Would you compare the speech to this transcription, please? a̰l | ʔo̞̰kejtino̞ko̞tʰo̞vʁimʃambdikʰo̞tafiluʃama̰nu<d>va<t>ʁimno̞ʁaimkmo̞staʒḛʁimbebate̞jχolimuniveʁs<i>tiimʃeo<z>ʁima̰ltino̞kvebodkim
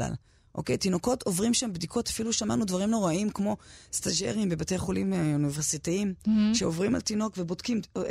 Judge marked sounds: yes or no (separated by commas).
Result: yes, no, yes, no